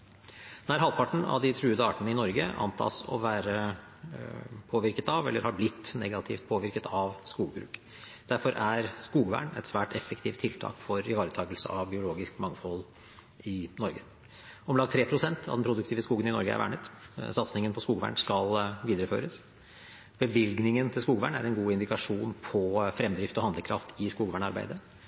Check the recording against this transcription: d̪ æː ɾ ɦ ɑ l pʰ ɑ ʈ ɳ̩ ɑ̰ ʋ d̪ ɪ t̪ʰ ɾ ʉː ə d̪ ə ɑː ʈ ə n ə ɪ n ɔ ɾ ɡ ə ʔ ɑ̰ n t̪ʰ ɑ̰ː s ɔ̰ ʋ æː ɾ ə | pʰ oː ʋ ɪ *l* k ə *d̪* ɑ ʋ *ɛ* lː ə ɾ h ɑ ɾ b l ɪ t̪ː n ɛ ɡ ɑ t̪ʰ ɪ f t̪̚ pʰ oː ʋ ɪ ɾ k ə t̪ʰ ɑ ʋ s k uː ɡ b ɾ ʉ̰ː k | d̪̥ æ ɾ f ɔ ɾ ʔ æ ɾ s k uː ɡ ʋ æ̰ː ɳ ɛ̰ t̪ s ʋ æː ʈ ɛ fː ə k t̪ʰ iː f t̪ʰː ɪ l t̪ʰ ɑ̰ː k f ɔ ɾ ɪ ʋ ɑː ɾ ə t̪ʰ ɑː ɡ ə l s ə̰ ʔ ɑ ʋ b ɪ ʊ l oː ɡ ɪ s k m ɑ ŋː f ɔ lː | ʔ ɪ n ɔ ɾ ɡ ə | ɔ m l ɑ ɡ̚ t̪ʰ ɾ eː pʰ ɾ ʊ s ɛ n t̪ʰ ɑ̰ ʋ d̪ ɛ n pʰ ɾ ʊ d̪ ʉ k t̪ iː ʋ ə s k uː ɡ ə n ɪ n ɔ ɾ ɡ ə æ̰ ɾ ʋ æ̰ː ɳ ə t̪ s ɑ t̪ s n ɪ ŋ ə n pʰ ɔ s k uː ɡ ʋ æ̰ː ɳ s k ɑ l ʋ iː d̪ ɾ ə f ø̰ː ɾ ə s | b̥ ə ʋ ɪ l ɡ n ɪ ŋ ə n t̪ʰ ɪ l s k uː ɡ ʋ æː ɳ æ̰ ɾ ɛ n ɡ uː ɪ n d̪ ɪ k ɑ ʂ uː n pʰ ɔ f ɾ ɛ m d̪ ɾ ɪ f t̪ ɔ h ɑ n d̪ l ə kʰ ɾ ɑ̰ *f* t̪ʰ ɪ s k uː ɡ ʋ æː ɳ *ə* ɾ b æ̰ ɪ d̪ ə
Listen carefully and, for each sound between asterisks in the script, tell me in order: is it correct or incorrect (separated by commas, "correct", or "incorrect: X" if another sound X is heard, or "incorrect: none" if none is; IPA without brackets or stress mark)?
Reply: incorrect: ɾ, incorrect: t̪, correct, correct, incorrect: ɑ